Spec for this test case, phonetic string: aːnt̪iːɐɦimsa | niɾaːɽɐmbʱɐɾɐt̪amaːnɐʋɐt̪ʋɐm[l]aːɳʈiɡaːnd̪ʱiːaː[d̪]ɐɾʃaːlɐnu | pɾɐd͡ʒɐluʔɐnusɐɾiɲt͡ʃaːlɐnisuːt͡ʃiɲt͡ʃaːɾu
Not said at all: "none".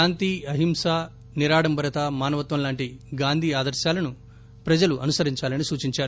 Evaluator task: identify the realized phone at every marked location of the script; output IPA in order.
l, d̪

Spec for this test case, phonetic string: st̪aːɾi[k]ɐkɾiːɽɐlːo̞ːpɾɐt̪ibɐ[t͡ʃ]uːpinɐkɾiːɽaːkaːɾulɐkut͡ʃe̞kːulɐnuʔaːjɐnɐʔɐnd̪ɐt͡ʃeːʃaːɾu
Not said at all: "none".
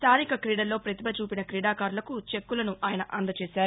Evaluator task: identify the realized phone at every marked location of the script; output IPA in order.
k, t͡ʃ

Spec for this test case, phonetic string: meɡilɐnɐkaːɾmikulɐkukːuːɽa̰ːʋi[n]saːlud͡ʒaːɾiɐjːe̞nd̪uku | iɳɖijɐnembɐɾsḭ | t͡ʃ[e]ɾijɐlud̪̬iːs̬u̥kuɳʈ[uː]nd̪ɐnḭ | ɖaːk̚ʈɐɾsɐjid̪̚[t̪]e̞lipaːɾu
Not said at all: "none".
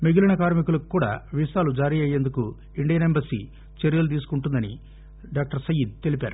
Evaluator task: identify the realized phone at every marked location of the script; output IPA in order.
none, e, u, t̪

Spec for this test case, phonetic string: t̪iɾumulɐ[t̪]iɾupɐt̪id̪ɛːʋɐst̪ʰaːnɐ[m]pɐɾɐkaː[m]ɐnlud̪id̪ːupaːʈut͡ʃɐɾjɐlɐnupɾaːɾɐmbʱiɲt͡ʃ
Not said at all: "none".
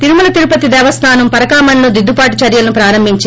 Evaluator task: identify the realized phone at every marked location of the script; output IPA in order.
t̪, m, m

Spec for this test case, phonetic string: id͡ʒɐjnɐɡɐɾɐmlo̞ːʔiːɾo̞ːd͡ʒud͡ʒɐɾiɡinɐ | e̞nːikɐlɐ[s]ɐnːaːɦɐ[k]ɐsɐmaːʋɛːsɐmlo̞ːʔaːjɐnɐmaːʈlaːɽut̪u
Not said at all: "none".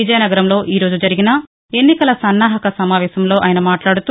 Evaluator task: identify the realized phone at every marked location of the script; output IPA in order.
s, k

